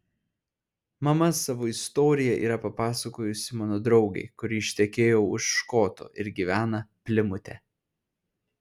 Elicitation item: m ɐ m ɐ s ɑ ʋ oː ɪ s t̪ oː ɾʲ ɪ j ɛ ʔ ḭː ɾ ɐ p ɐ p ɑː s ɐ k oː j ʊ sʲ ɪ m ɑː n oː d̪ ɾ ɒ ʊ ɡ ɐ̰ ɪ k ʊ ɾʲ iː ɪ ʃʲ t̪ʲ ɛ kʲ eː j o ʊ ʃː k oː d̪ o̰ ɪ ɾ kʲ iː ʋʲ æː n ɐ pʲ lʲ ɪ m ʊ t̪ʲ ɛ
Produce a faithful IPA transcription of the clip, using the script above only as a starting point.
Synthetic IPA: m ɐ m ɐ s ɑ ʋ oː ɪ s t̪ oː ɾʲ ɪ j ɛ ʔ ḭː ɾ ɐ p ɐ p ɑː s ɐ k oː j ʊ sʲ ɪ m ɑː n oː d̪ ɾ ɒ ʊ ɡ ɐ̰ ɪ k ʊ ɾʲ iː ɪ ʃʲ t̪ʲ ɛ kʲ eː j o ʊ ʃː k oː t̪ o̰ ɪ ɾ ɡʲ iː ʋʲ æː n ɐ pʲ lʲ ɪ m ʊ t̪ʲ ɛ